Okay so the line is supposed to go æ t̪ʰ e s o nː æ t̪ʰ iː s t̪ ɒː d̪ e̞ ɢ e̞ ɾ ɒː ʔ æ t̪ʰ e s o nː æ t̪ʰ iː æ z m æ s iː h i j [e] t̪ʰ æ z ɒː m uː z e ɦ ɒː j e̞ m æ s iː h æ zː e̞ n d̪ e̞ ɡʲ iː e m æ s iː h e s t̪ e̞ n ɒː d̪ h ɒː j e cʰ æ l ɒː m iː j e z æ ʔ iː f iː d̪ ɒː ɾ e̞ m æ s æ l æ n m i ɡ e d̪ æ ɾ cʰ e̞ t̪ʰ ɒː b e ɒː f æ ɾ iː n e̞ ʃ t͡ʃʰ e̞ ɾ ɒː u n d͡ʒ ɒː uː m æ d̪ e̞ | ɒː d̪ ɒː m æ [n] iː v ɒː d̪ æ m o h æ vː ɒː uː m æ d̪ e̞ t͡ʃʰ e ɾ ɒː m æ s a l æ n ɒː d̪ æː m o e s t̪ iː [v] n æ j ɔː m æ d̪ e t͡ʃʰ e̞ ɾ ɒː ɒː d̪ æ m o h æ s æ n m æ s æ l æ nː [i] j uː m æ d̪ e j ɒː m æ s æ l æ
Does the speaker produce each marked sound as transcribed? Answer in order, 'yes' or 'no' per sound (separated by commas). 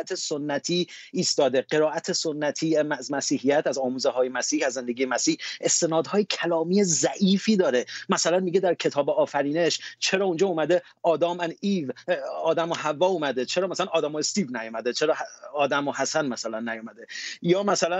no, yes, yes, no